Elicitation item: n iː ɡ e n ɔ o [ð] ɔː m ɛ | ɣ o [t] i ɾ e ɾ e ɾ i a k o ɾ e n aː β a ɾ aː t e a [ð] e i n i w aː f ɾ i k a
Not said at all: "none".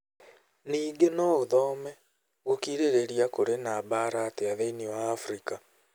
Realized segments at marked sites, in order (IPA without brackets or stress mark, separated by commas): ð, k, ð